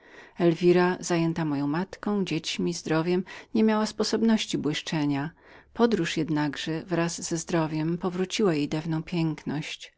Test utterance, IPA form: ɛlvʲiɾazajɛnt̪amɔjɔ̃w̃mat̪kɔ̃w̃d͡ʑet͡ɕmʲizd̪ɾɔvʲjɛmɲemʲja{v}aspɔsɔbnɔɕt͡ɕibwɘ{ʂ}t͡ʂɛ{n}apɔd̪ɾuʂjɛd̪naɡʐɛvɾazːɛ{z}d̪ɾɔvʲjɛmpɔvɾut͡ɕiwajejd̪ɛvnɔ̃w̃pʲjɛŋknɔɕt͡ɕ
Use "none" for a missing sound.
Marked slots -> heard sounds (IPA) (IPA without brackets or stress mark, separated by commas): w, ʂ, ɲ, z